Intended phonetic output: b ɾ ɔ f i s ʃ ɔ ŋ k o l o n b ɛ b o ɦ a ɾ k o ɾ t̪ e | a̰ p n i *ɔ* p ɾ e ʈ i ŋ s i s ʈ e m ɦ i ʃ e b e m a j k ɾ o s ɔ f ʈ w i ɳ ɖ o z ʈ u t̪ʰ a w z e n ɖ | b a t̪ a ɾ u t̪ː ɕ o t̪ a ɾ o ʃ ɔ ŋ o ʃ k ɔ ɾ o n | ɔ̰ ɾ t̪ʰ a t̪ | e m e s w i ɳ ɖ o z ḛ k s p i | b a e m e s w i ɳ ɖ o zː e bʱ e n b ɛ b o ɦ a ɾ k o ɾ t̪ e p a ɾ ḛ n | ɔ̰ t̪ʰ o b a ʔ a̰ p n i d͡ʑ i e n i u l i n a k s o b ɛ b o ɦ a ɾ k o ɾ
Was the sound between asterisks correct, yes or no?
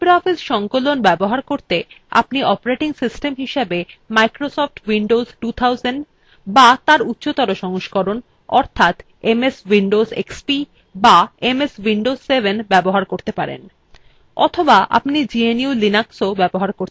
yes